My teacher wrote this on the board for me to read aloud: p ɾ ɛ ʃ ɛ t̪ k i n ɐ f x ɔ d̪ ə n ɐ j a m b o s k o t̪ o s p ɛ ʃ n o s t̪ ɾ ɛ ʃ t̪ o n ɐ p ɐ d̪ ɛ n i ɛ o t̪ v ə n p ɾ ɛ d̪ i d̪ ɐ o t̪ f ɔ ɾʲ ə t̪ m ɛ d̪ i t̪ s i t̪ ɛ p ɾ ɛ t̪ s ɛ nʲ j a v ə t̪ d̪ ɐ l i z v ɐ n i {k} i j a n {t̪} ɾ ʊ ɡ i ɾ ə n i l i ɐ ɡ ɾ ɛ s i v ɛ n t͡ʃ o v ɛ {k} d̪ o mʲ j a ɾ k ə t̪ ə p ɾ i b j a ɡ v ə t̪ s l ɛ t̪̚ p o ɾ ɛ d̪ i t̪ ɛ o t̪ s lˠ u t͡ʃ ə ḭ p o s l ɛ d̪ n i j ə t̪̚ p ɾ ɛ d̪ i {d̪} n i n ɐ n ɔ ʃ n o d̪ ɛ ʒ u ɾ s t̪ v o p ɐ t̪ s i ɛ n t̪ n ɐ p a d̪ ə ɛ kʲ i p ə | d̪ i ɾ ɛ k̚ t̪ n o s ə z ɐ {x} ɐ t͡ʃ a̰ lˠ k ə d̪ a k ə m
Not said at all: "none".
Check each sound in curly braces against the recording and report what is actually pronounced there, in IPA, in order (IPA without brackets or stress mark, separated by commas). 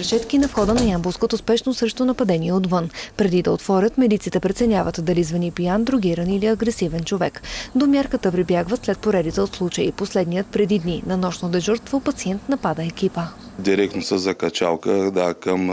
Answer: p, d̪, k, d̪, k